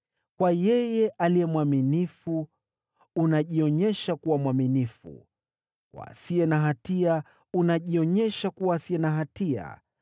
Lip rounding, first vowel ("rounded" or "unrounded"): unrounded